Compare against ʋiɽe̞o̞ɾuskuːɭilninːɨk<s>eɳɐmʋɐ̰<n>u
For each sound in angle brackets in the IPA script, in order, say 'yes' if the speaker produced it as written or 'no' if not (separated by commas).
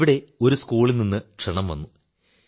no, no